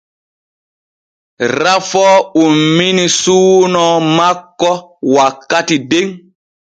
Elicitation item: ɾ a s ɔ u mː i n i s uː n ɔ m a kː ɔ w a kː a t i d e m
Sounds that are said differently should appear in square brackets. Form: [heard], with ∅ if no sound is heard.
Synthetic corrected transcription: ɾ a [f] ɔ u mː i n i s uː n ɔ m a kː ɔ w a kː a t i d e [ŋ]